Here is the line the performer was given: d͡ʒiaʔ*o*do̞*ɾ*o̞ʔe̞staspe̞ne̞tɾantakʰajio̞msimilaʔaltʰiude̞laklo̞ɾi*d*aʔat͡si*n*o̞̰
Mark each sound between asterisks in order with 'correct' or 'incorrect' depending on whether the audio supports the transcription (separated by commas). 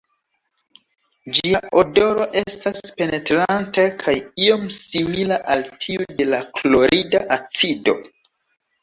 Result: correct, correct, correct, incorrect